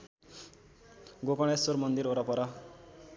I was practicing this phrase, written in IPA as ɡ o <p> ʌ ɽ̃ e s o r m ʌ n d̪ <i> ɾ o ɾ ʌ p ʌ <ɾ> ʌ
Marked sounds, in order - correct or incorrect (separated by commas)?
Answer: incorrect, correct, correct